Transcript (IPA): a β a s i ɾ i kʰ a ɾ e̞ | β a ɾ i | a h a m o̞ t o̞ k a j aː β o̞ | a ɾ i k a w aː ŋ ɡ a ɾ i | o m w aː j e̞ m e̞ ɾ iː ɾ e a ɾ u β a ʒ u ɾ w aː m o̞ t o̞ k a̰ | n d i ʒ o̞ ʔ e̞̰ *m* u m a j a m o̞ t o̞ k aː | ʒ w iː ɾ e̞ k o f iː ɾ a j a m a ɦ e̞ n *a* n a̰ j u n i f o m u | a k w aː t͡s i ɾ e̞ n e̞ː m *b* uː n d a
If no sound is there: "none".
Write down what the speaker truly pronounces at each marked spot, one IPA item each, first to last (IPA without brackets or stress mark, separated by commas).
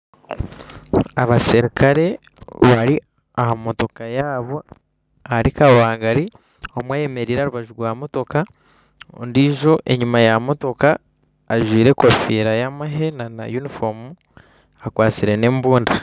ɲ, a, b